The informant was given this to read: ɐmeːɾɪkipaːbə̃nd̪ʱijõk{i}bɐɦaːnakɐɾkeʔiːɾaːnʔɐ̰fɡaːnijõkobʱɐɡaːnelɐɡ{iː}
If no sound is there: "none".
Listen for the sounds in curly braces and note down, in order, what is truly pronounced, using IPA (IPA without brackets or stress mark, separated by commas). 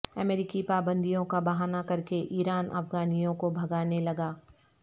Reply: a, aː